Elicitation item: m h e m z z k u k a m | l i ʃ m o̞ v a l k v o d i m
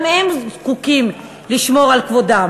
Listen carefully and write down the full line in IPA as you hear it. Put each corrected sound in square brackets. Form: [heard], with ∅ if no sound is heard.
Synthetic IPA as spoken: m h e m z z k u k [i] m | l i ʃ m o̞ [ʁ] a l k v o d [a] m